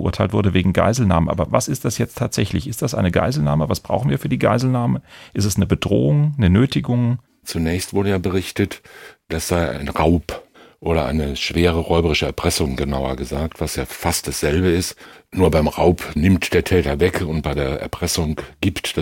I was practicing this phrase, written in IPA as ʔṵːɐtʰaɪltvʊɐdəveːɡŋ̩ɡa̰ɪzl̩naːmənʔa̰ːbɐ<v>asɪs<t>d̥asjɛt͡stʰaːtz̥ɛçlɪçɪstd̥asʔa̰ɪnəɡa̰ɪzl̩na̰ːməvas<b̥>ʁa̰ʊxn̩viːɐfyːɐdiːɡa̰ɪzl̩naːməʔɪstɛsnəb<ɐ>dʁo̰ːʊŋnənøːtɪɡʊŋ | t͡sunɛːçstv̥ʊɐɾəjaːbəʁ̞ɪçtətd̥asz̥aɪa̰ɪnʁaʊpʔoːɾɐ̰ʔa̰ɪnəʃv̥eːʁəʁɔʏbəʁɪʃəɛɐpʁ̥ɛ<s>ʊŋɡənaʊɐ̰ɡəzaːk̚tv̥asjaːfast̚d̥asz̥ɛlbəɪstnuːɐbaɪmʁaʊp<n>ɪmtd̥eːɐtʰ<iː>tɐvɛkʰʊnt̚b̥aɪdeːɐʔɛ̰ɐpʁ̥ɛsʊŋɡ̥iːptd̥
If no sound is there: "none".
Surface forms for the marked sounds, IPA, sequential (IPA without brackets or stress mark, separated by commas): v, t, b̥, ə, s, n, ɛː